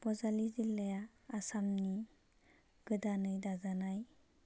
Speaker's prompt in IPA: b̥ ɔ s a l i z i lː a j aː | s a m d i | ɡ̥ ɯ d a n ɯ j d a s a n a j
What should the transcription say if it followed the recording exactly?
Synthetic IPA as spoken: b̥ ɔ z a l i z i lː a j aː | s a m n i | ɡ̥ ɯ d a n ɯ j d a z a n a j